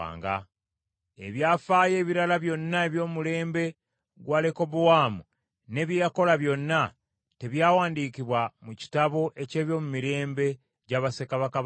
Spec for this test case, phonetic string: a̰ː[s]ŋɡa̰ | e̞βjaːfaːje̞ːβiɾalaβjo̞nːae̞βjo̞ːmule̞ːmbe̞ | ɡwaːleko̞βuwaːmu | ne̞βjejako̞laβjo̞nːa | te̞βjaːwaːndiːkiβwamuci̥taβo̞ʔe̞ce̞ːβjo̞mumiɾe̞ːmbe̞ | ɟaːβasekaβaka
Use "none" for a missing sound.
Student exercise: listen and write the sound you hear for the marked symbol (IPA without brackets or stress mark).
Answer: none